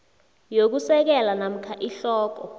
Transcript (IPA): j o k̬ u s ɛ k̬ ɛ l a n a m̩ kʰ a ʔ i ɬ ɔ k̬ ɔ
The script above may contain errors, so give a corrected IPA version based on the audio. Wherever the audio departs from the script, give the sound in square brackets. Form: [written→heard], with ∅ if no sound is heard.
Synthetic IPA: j o k̬ u s ɛ k̬ ɛ l a n a m̩ kʰ a ʔ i ɬ [ɔ→ɔː] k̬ ɔ